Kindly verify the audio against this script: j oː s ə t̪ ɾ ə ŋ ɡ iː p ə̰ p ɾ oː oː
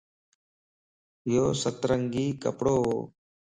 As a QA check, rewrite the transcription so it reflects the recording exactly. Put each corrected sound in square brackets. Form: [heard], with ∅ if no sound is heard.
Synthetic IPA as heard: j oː s ə t̪ ɾ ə ŋ ɡ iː [k] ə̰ p [ɽ] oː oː